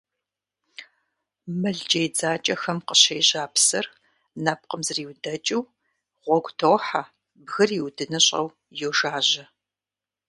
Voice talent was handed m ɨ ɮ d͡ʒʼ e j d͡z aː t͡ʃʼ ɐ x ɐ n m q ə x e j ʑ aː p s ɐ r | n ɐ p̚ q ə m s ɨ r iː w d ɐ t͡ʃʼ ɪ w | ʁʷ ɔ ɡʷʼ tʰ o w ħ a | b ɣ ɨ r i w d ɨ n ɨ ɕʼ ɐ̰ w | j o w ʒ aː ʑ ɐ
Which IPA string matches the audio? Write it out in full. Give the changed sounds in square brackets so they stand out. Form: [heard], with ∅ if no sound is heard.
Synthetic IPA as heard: m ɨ ɮ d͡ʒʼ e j d͡z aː t͡ʃʼ ɐ x ɐ [∅] m q ə [ɕ] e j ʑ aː p s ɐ r | n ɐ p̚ q ə m [z] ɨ r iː w d ɐ t͡ʃʼ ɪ w | ʁʷ ɔ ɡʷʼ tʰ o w ħ a | b ɣ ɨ r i w d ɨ n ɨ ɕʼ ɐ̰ w | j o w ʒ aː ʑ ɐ